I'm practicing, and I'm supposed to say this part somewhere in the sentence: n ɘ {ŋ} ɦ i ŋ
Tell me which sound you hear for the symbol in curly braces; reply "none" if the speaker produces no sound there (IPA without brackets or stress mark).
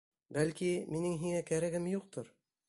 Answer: ŋ